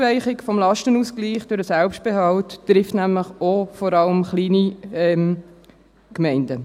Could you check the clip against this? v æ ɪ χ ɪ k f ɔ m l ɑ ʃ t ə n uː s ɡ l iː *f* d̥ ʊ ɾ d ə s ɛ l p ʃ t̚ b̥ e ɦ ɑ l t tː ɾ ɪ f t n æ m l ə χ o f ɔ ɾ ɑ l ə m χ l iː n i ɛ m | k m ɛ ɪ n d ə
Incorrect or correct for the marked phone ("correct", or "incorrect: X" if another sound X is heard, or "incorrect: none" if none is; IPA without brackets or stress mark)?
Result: incorrect: χ